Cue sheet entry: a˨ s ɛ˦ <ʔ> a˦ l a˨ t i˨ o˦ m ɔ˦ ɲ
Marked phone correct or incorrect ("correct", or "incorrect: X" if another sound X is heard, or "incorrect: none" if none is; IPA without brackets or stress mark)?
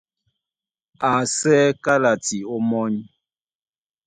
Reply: incorrect: k